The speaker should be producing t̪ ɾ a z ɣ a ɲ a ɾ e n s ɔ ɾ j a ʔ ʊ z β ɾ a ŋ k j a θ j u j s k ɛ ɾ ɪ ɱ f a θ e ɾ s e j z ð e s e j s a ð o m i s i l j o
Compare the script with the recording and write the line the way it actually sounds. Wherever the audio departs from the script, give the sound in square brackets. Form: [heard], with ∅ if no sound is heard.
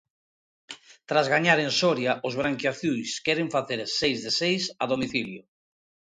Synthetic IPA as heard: t̪ ɾ a z ɣ a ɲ a ɾ e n s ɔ ɾ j a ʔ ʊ z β ɾ a ŋ k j a θ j u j s k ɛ ɾ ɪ ɱ f a θ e ɾ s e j z ð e s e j s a ð o m i [θ] i l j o